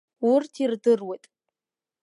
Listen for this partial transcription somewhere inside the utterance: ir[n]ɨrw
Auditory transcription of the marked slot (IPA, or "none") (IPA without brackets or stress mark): d